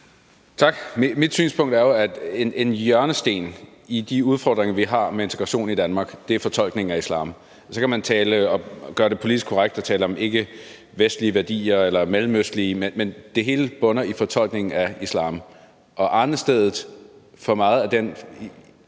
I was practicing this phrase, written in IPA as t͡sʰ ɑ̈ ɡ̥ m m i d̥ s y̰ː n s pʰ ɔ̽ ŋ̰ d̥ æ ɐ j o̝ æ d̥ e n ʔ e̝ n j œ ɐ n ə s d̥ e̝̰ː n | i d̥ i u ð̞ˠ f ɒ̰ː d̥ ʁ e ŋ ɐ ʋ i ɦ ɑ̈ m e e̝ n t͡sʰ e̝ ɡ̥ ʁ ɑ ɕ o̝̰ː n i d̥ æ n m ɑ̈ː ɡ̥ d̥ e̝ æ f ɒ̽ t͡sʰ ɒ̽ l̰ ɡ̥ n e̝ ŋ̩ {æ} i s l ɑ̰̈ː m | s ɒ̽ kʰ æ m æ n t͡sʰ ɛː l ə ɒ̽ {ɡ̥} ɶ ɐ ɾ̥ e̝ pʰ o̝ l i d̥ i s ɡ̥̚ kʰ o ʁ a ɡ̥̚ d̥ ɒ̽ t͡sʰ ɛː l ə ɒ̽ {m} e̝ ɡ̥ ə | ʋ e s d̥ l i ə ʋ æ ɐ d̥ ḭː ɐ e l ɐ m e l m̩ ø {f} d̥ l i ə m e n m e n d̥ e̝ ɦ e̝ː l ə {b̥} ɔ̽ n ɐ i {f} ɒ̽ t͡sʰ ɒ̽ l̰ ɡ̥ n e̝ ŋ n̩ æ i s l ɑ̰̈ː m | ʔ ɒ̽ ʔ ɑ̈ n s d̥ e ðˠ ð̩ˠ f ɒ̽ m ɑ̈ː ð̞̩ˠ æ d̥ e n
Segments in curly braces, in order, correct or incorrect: correct, correct, correct, incorrect: s, correct, correct

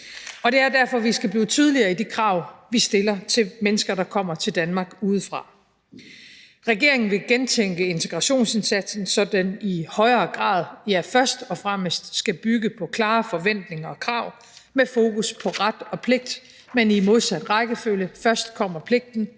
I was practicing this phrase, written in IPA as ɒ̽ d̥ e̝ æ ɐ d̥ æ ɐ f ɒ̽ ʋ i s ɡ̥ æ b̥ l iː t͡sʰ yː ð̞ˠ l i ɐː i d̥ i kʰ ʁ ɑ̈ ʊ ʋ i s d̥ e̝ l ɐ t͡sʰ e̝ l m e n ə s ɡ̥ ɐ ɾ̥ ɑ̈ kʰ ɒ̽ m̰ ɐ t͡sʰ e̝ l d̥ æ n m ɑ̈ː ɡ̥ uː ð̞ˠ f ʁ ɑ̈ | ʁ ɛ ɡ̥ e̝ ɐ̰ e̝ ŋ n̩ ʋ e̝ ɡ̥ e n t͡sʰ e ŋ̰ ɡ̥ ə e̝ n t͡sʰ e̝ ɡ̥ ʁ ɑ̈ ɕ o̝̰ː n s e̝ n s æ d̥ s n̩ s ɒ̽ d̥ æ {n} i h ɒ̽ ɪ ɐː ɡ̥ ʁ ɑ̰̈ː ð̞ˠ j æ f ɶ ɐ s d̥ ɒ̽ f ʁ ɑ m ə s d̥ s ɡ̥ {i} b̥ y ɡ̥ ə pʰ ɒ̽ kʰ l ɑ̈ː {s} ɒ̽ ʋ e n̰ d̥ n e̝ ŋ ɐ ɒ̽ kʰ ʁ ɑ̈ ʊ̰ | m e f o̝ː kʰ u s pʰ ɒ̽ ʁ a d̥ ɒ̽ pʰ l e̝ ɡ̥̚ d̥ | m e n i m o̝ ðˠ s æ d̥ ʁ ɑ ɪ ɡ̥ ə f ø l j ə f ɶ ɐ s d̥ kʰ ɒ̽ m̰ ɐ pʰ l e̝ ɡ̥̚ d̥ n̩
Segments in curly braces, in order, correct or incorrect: correct, incorrect: æ, incorrect: f

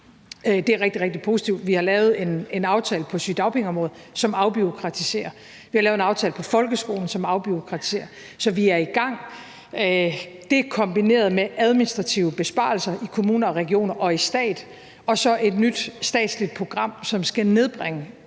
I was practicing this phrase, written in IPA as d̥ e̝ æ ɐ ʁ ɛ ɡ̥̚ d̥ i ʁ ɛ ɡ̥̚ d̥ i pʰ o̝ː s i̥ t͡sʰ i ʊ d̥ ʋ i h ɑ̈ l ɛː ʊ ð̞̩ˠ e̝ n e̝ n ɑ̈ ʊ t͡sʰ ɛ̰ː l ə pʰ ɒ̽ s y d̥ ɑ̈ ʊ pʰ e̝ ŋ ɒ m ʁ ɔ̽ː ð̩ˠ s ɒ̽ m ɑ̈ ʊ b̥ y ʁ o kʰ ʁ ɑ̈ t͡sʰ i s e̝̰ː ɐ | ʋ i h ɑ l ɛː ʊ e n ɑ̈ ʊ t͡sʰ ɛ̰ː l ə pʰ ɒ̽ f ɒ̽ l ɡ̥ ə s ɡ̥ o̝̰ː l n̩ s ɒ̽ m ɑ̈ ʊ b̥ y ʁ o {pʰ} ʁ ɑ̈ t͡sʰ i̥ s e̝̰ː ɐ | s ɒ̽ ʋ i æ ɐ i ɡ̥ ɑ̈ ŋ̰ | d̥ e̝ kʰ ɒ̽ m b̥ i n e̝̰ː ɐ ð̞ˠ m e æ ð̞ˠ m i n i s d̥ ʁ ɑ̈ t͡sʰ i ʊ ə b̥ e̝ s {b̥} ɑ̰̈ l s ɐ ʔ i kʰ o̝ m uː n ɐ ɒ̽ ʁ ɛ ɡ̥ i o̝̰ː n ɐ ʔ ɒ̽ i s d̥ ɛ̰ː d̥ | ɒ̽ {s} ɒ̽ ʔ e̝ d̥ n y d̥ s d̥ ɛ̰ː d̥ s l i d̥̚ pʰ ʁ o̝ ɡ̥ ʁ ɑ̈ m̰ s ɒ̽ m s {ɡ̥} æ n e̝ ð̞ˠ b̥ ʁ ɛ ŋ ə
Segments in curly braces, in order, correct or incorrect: incorrect: kʰ, correct, correct, correct

